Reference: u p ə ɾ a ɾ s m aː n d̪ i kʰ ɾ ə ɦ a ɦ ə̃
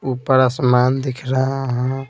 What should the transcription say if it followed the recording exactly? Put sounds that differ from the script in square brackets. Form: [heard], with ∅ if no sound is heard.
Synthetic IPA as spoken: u p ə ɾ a [∅] s m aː n d̪ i kʰ ɾ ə ɦ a ɦ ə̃